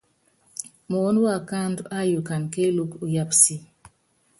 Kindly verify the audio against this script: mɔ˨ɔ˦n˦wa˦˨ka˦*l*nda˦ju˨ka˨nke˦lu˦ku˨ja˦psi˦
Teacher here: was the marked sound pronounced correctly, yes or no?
no